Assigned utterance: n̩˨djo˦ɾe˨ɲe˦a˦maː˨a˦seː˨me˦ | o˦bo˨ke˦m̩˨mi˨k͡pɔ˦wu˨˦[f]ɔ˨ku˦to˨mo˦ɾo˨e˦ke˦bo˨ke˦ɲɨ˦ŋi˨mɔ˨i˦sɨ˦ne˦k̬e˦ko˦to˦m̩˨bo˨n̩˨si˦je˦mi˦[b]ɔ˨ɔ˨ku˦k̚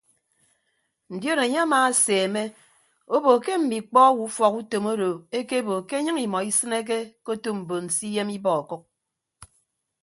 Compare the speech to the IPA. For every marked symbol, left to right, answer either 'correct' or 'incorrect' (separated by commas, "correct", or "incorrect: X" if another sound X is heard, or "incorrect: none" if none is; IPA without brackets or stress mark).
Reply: correct, correct